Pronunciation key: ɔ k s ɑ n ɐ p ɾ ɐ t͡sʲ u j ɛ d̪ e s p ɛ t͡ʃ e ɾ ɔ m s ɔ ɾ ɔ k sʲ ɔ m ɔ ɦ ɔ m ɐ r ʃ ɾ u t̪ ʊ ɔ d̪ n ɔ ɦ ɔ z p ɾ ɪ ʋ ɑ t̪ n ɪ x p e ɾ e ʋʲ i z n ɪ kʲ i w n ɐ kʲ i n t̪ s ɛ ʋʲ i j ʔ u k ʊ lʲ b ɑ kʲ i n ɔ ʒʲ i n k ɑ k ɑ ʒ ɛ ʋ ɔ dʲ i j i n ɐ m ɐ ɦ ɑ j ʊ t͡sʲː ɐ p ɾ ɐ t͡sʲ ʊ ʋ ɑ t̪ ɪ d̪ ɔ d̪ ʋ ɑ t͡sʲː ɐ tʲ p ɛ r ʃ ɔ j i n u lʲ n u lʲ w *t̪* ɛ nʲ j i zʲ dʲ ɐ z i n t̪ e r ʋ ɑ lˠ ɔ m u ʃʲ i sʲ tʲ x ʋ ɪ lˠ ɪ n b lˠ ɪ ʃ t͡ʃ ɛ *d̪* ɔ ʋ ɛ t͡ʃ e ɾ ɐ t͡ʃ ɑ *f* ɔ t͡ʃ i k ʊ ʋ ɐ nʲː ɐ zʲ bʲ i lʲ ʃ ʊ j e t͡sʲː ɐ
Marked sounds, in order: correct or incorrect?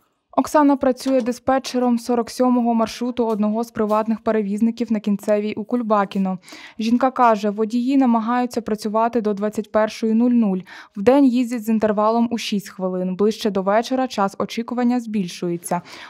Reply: incorrect: d̪, correct, incorrect: s

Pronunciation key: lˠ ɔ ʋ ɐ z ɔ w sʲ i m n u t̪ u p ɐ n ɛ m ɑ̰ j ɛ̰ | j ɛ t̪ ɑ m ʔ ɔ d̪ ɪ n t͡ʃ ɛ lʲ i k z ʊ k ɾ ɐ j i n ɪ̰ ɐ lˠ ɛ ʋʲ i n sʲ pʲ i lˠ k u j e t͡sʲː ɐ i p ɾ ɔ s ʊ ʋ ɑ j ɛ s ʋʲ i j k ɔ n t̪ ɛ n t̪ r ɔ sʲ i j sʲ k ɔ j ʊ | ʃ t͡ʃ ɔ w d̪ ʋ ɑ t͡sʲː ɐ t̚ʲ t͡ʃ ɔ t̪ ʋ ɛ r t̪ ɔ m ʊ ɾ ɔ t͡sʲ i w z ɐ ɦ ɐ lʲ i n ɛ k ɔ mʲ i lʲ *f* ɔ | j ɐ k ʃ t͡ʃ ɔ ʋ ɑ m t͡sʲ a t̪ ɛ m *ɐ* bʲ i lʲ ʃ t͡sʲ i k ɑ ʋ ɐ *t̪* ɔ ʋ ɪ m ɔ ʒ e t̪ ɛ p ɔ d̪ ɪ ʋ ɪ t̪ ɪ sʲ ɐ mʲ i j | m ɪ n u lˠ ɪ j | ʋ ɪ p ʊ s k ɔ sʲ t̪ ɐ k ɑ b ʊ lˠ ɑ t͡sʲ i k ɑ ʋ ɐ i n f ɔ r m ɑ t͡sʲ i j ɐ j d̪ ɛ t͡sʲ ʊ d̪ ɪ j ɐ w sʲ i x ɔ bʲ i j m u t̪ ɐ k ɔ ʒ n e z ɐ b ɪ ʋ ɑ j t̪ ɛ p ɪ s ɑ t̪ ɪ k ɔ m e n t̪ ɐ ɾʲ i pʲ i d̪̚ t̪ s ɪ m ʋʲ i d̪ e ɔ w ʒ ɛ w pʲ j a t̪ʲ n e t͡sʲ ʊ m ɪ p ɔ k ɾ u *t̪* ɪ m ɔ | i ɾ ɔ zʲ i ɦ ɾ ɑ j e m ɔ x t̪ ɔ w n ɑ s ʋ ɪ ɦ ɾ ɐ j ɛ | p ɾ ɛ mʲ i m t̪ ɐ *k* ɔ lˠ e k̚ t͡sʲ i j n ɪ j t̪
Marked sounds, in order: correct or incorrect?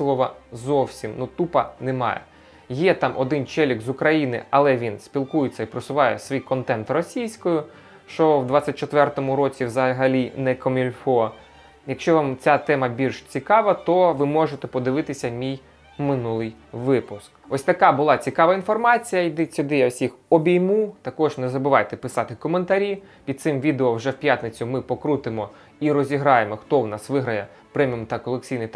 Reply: correct, correct, correct, correct, correct

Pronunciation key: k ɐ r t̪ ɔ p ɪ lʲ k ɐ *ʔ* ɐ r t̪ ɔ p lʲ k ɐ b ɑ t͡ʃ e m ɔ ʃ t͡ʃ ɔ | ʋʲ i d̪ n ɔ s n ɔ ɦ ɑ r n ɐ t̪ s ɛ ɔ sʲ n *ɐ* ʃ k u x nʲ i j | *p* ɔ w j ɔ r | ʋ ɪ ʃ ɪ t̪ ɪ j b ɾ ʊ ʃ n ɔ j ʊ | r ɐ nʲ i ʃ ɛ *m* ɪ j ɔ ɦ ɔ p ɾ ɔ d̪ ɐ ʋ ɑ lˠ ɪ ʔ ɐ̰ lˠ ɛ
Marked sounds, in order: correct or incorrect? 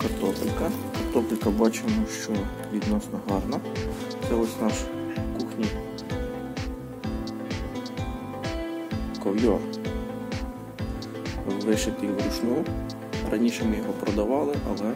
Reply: incorrect: k, incorrect: ɑ, incorrect: k, correct

